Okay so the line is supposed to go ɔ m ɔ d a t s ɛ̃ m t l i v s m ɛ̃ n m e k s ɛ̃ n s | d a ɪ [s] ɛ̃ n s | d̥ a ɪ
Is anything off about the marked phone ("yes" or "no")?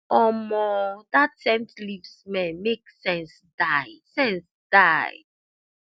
no